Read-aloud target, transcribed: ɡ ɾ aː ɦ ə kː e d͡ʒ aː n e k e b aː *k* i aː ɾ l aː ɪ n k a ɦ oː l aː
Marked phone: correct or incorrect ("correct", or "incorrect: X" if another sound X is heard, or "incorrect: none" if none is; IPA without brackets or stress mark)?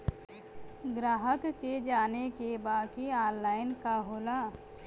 correct